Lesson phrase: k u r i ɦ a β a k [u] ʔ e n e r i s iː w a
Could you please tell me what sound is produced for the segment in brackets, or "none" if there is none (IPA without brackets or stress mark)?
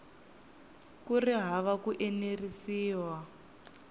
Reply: u